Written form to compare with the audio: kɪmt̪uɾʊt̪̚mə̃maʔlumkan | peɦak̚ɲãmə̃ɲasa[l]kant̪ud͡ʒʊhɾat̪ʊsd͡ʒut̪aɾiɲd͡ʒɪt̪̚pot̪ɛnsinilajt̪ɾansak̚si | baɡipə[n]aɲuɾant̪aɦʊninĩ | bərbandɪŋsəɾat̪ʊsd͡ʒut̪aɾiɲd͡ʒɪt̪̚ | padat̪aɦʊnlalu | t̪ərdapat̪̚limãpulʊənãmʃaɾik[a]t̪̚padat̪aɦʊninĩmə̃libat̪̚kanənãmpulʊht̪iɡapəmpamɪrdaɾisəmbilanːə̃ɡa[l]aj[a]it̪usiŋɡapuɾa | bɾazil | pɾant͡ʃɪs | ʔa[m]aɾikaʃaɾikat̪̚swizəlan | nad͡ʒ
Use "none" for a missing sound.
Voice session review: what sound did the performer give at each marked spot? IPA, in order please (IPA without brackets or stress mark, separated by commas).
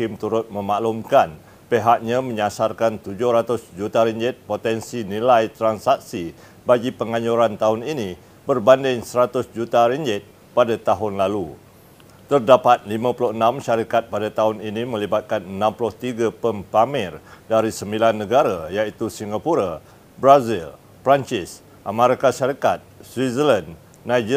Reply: r, ŋ, a, ɾ, a, m